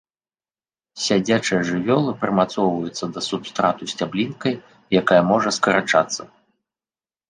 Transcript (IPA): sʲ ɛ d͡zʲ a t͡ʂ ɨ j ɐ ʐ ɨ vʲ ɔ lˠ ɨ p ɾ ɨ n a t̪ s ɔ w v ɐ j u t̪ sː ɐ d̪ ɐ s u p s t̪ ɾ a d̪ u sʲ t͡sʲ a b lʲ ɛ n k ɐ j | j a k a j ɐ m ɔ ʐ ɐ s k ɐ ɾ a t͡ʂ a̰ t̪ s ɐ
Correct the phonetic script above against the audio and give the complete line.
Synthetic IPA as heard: sʲ a d͡zʲ a t͡ʂ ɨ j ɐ ʐ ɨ vʲ ɔ lˠ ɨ p ɾ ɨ m a t̪ s ɔ w v ɐ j u t̪ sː ɐ d̪ ɐ s u p s t̪ ɾ a t̪ u sʲ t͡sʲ a b lʲ i n k ɐ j | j a k a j ɐ m ɔ ʐ ɐ s k ɐ ɾ a t͡ʂ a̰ t̪ sː ɐ

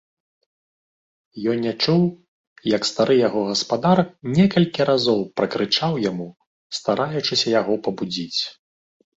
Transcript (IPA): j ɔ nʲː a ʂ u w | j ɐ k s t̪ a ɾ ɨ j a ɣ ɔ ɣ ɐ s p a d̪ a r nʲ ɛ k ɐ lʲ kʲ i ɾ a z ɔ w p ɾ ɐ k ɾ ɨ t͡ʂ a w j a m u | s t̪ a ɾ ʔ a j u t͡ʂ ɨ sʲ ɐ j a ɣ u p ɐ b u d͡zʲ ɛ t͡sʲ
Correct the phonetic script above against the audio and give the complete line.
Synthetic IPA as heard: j ɔ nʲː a t͡ʂ u w | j ɐ k s t̪ a ɾ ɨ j a ɣ ɔ ɣ ɐ s p a d̪ a r nʲ ɛ k ɐ lʲ kʲ i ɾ a z ɔ w p ɾ ɐ k ɾ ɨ t͡ʂ a w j a m u | s t̪ a ɾ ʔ a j u t͡ʂ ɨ sʲ ɐ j a ɣ ɔ p ɐ b u d͡zʲ i t͡sʲ

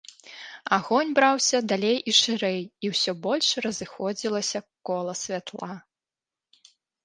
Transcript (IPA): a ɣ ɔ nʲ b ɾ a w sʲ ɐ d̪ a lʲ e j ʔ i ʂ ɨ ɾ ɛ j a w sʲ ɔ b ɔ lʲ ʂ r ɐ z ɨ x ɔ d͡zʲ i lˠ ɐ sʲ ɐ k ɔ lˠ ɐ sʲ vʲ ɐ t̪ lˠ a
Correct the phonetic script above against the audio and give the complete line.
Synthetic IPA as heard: a ɣ ɔ nʲ b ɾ a w sʲ ɐ d̪ a lʲ e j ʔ i ʂ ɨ ɾ ɛ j i w sʲ ɔ b ɔ lʲ ʂ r ɐ z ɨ x ɔ d͡zʲ i lˠ ɐ sʲ ɐ k ɔ lˠ ɐ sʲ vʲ a t̪ lˠ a

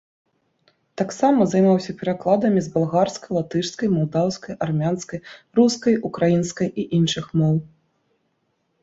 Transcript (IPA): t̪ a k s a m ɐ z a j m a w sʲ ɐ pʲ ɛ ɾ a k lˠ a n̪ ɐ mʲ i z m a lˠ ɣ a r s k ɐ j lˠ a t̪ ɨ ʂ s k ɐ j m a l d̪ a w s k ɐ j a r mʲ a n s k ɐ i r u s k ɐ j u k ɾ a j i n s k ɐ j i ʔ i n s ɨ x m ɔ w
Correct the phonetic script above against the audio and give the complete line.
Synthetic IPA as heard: t̪ a k s a m ɐ z a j m a w sʲ ɐ pʲ ɛ ɾ a k lˠ a d̪ ɐ mʲ i z b a lˠ ɣ a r s k ɐ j lˠ a t̪ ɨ ʂ s k ɐ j m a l d̪ a w s k ɐ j a r mʲ a n s k ɐ j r u s k ɐ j u k ɾ a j i n s k ɐ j i ʔ i n ʂ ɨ x m ɔ w

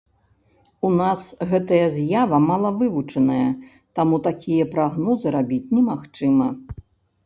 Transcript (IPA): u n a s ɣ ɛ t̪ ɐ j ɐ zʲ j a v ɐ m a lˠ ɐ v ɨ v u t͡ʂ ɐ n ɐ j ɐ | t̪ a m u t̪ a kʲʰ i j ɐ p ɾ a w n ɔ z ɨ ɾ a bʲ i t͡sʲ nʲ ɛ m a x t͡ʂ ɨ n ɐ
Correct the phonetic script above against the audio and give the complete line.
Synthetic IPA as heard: u n a s ɣ ɛ t̪ ɐ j ɐ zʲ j a v ɐ m a lˠ ɐ v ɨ v u t͡ʂ ɐ n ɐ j ɐ | t̪ a m u t̪ a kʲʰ i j ɐ p ɾ a ɣ n ɔ z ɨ ɾ a bʲ i t͡sʲ nʲ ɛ m a x t͡ʂ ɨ m ɐ

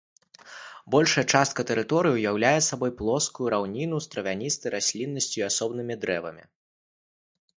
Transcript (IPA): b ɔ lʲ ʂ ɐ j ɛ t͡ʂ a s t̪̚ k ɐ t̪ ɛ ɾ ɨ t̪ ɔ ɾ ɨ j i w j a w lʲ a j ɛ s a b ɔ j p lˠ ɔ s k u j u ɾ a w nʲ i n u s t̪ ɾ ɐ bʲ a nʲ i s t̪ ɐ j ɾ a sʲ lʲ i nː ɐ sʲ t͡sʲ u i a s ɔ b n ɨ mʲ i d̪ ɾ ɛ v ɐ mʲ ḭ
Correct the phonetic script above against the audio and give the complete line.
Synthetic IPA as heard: b ɔ lʲ ʂ ɐ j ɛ t͡ʂ a s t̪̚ k ɐ t̪ ɛ ɾ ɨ t̪ ɔ ɾ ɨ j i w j a w lʲ a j ɛ s a b ɔ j p lˠ ɔ s k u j u ɾ a w nʲ i n u s t̪ ɾ ɐ vʲ a nʲ i s t̪ ɐ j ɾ a sʲ lʲ i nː ɐ sʲ t͡sʲ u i a s ɔ b n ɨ mʲ i d̪ ɾ ɛ v ɐ mʲ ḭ

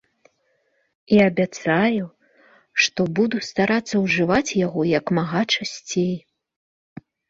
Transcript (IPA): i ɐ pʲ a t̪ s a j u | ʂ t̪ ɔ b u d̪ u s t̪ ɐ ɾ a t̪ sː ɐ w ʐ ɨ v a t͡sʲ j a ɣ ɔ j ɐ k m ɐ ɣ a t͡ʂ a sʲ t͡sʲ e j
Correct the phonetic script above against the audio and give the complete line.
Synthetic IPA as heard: i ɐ bʲ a t̪ s a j u | ʂ t̪ ɔ b u d̪ u s t̪ a ɾ a t̪ sː ɐ w ʐ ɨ v a t͡sʲ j a ɣ ɔ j ɐ k m a ɣ a t͡ʂ a sʲ t͡sʲ e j

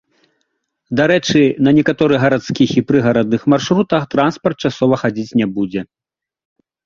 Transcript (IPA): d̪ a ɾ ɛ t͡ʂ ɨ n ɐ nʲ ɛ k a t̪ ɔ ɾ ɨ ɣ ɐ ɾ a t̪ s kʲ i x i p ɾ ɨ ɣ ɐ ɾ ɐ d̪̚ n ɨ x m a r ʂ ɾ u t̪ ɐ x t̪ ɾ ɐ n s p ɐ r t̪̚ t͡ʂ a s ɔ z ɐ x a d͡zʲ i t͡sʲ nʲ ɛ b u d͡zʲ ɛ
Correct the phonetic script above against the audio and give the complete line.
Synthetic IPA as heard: d̪ a ɾ ɛ t͡ʂ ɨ n ɐ nʲ ɛ k a t̪ ɔ ɾ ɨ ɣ ɐ ɾ a t̪ s kʲ i x i p ɾ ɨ ɣ ɐ ɾ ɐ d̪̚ n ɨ x m a r ʂ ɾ u t̪ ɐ x t̪ ɾ a n s p ɐ r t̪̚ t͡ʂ a s ɔ v ɐ x a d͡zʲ i t͡sʲ nʲ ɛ b u d͡zʲ ɛ

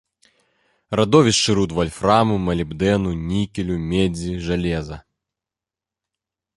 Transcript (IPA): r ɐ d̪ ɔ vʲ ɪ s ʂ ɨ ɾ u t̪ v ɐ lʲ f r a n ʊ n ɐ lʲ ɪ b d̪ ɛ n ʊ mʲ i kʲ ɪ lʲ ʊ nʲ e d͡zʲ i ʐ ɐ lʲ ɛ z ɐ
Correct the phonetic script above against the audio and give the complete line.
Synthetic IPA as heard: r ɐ d̪ ɔ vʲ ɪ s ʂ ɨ ɾ u t̪ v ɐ lʲ f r a m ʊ m ɐ lʲ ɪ b d̪ ɛ n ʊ nʲ i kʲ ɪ lʲ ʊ mʲ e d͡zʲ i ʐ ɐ lʲ ɛ z ɐ

